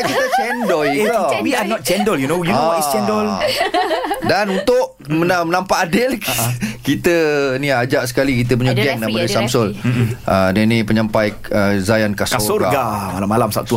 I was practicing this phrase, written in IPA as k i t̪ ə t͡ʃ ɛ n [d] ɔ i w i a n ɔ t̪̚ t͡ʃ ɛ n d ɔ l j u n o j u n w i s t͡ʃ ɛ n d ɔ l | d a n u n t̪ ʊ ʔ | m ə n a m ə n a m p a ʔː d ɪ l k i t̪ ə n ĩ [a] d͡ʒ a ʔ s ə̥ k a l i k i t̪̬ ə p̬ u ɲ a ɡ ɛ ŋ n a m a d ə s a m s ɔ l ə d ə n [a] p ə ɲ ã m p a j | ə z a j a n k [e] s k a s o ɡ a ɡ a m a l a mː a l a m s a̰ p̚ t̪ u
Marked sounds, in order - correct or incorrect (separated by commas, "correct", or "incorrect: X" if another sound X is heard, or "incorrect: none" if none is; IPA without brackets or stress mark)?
correct, correct, incorrect: i, incorrect: a